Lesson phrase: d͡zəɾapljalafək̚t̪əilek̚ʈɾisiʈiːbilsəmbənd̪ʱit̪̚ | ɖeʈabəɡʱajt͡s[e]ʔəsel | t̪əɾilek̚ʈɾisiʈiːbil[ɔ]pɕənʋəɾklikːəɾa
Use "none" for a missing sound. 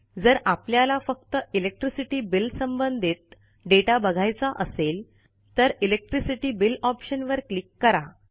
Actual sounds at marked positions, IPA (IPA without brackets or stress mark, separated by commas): a, ɔ